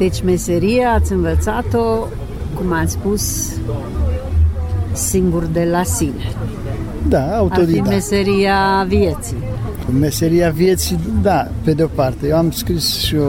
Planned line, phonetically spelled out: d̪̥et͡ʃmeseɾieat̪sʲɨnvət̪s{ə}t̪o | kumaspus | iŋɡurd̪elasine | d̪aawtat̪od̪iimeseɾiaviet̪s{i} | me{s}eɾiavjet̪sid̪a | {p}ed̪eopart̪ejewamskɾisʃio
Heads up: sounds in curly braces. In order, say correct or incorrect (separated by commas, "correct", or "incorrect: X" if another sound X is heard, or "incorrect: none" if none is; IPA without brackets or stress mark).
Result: incorrect: a, correct, correct, correct